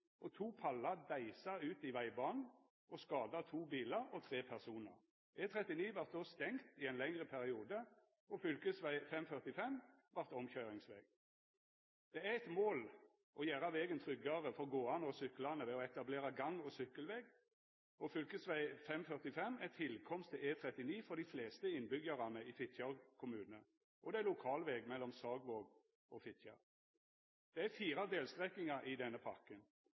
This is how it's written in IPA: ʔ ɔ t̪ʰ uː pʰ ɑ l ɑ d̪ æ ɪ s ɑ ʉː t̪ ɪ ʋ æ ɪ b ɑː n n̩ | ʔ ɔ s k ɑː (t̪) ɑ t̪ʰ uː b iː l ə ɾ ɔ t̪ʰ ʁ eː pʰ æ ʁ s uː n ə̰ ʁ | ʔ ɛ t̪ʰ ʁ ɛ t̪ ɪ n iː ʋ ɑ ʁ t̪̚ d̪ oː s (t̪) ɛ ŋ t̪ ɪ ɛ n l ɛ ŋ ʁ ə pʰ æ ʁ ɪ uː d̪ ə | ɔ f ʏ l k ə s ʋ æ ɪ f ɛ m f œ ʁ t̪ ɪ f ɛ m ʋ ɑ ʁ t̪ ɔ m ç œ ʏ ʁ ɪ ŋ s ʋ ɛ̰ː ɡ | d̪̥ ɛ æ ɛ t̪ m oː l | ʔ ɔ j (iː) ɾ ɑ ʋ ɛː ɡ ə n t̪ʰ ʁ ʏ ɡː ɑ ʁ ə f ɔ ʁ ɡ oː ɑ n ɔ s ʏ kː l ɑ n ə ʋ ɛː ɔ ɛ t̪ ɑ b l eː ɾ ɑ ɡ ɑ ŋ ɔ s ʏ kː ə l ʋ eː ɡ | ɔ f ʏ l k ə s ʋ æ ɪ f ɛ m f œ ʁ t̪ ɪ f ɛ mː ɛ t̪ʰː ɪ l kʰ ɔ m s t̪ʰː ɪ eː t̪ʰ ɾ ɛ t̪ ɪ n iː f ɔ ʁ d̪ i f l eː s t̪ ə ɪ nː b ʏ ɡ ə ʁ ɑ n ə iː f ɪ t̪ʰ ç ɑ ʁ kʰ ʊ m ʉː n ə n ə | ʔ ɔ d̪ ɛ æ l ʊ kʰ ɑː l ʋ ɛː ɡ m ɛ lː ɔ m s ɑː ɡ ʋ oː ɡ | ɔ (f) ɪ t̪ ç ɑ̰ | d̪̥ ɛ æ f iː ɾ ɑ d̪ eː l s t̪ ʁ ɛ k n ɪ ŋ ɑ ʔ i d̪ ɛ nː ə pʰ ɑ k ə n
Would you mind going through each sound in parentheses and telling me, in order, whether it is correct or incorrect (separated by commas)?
incorrect, correct, incorrect, correct